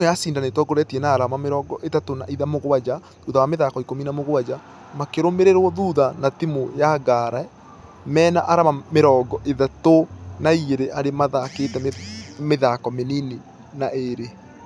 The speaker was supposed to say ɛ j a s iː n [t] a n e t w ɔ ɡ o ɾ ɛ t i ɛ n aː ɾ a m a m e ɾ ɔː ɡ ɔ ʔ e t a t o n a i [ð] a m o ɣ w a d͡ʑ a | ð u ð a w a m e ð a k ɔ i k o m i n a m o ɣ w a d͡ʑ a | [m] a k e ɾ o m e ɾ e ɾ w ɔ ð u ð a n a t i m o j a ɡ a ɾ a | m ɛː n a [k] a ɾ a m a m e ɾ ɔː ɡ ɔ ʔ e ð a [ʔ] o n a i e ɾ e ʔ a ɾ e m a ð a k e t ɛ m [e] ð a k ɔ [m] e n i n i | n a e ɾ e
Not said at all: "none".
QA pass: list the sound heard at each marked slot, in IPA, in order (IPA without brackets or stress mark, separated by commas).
d, ð, m, ʔ, t, e, m